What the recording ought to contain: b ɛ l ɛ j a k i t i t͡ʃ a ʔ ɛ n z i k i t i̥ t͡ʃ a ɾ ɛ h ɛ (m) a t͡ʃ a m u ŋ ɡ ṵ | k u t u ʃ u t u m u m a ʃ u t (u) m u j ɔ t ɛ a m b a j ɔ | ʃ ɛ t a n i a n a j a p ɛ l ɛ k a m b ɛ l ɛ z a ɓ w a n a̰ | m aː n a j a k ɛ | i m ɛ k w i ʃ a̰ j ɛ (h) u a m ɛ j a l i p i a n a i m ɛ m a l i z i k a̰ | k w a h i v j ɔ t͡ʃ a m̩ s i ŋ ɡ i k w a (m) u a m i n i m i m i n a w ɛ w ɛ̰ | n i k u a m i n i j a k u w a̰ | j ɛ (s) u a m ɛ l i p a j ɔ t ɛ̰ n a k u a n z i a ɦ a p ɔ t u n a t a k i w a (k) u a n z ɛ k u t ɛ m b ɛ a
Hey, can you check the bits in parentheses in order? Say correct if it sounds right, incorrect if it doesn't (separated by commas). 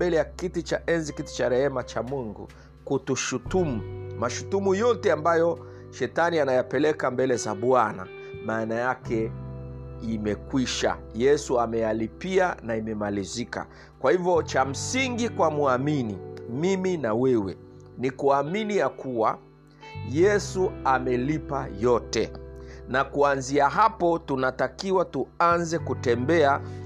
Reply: correct, correct, incorrect, correct, correct, incorrect